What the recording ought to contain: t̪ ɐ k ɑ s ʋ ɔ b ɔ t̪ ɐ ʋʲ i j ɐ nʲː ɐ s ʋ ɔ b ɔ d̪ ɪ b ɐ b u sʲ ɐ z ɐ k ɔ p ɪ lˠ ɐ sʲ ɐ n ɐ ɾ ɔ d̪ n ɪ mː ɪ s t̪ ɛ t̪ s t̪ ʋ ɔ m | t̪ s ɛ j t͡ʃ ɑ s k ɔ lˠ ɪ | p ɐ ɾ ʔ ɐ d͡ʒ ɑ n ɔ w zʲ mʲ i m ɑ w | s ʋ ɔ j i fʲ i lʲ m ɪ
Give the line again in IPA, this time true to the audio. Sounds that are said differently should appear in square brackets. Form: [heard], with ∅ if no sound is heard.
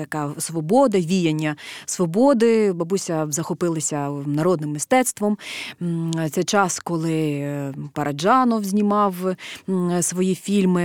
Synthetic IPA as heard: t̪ ɐ k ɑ s ʋ ɔ b ɔ [d̪] ɐ ʋʲ i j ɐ nʲː ɐ s ʋ ɔ b ɔ d̪ ɪ b ɐ b u sʲ ɐ z ɐ [x] ɔ p ɪ lˠ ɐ sʲ ɐ n ɐ ɾ ɔ d̪ n ɪ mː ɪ s t̪ ɛ t̪ s t̪ ʋ ɔ m | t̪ s ɛ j t͡ʃ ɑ s k ɔ lˠ ɪ | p ɐ ɾ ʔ ɐ d͡ʒ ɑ n ɔ w zʲ [nʲ] i m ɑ w | s ʋ ɔ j i fʲ i lʲ m ɪ